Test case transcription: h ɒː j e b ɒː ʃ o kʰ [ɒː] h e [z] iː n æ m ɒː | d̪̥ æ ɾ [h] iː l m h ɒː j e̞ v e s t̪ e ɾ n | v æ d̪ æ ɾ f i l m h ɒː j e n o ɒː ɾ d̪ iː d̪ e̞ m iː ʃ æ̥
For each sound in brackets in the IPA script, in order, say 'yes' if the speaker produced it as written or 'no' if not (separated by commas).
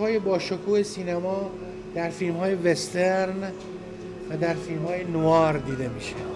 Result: no, no, no